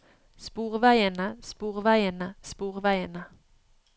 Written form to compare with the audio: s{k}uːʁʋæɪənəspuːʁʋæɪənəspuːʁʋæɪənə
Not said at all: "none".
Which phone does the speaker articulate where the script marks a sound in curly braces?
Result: p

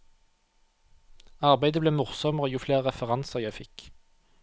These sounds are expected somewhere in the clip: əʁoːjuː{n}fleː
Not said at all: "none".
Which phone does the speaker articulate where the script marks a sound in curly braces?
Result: none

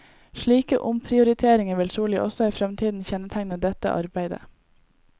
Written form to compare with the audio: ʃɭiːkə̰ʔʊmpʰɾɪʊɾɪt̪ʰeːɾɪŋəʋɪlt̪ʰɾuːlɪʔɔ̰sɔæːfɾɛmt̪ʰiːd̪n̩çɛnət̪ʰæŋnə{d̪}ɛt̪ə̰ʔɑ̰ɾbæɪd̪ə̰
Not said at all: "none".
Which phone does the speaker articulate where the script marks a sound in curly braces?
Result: d̪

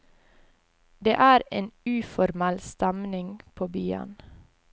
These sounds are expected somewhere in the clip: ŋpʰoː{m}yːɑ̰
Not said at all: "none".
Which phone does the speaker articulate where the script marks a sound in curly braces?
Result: b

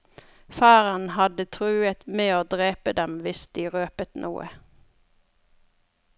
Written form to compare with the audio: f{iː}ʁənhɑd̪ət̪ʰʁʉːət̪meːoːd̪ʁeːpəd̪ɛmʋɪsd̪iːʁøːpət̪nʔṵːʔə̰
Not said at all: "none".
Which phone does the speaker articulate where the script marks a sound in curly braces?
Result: æː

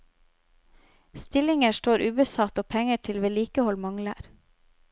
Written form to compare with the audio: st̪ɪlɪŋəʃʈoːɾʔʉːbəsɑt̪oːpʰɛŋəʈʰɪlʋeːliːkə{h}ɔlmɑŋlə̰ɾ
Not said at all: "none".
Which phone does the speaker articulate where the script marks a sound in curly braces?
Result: h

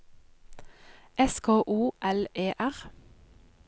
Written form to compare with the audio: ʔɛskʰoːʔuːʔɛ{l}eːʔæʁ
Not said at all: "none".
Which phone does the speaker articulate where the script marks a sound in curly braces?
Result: l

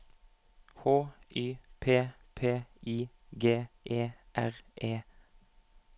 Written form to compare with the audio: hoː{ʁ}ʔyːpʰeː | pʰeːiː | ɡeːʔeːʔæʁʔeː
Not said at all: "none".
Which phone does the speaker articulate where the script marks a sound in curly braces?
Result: none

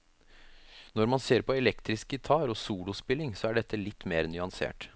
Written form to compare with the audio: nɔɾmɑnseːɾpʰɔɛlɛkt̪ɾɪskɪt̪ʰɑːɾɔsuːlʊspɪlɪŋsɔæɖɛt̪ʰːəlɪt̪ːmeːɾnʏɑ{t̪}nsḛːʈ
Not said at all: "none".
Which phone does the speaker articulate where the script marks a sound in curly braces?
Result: none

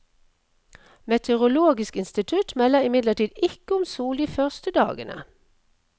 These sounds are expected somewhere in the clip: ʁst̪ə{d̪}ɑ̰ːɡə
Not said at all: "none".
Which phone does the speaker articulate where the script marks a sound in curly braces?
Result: d̪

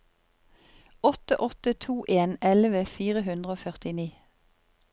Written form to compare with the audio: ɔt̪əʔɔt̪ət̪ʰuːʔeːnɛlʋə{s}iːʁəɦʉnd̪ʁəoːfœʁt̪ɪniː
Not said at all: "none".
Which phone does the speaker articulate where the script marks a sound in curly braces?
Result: f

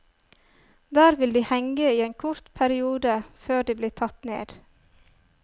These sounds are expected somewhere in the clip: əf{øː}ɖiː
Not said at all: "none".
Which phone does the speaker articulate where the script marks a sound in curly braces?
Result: øː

